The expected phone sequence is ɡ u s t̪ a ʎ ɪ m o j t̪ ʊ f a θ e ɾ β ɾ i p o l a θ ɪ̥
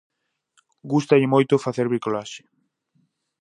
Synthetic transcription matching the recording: ɡ u s t̪ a ʎ ɪ m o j t̪ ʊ f a θ e ɾ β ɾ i k o l a ʃ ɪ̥